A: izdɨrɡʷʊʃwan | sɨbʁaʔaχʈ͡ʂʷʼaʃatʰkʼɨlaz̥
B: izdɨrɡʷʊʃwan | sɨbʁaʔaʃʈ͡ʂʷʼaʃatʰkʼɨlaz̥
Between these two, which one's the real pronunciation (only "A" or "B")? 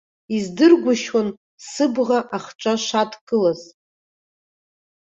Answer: A